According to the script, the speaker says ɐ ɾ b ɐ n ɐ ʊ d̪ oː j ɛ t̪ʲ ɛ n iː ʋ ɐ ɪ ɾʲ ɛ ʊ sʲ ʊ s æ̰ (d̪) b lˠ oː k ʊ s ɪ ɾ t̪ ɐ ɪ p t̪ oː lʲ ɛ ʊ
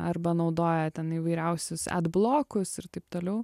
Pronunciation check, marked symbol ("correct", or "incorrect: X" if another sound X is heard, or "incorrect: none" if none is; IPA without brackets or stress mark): correct